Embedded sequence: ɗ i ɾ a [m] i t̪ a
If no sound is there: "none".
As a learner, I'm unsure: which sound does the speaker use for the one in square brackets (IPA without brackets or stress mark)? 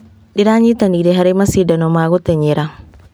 ɲ